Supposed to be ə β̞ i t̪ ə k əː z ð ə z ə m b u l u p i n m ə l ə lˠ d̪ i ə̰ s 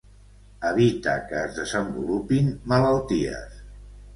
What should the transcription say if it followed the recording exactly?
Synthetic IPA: ə β̞ i t̪ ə k əː z ð ə z ə m b u l u p i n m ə l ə lˠ t̪ i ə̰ s